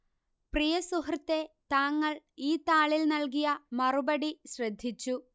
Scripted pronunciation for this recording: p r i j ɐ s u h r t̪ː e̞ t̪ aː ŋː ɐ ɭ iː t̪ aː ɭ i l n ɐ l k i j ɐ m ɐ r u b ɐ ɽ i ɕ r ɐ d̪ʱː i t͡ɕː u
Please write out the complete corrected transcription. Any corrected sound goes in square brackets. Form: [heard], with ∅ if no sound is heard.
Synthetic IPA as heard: p r i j ɐ s u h r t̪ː e̞ t̪ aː ŋː ɐ ɭ iː t̪ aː ɭ i l n ɐ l k i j ɐ m ɐ r u b ɐ ɽ i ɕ r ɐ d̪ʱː i t͡ɕː u